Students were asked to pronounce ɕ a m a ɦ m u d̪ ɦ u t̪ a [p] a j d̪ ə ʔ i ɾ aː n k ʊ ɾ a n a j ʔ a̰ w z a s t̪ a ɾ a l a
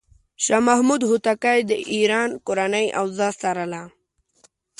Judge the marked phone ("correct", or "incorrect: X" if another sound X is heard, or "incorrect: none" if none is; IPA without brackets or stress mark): incorrect: k